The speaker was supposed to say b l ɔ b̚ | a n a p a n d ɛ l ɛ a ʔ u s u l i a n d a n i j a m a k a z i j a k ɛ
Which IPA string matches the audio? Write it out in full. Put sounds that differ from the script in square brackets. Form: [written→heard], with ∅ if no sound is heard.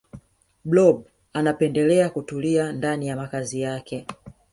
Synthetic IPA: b l ɔ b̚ | a n a p [a→ɛ] n d ɛ l ɛ a [ʔ→k] u [s→t] u l i a n d a n i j a m a k a z i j a k ɛ